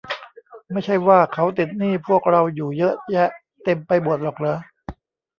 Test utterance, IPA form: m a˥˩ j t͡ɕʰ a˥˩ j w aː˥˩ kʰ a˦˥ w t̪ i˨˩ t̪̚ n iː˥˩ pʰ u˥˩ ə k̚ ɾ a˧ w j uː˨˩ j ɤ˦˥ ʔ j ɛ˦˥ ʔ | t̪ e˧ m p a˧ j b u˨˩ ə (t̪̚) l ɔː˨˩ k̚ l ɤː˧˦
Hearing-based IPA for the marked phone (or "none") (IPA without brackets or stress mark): t̪̚